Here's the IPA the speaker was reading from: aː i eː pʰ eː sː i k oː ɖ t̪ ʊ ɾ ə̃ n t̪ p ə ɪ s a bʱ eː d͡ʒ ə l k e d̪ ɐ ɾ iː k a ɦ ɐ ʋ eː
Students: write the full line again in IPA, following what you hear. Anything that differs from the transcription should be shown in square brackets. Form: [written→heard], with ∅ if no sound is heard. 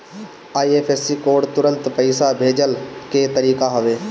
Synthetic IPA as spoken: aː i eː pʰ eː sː i k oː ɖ t̪ ʊ ɾ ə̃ n t̪ p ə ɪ s a bʱ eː d͡ʒ ə l k e [d̪→t̪] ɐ ɾ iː k a ɦ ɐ ʋ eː